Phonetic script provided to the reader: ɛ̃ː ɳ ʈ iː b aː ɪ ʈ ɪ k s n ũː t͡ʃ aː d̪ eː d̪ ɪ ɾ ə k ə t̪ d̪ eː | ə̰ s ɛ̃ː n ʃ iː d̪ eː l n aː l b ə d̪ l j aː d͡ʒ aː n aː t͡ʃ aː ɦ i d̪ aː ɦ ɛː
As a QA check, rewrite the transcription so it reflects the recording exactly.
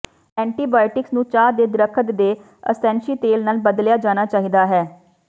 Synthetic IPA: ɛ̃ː ɳ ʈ iː b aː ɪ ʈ ɪ k s n ũː t͡ʃ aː d̪ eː d̪ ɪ ɾ ə kʰ ə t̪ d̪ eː | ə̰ s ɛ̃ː n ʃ iː t̪ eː l n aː l b ə d̪ l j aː d͡ʒ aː n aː t͡ʃ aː ɦ i d̪ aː ɦ ɛː